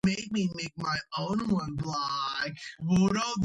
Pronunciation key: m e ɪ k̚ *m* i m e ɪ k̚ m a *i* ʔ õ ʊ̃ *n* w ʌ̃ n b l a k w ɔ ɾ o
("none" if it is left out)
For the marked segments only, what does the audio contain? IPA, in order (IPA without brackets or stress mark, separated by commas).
m, ɪ, n